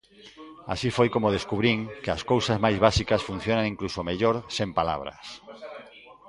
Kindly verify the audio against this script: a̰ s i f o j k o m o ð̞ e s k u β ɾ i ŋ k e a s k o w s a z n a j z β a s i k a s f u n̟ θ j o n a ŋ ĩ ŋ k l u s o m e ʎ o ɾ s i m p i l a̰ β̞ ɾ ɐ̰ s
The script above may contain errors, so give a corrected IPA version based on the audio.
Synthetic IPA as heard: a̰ s i f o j k o m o ð̞ e s k u β ɾ i ŋ k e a s k o w s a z m a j z β a s i k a s f u n̟ θ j o n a ŋ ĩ ŋ k l u s o m e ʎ o ɾ s e m p a l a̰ β̞ ɾ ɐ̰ s